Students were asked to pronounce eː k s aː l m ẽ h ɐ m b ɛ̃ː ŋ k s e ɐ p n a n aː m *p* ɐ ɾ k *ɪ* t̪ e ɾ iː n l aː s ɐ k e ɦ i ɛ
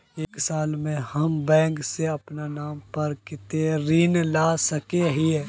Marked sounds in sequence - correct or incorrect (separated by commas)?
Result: correct, correct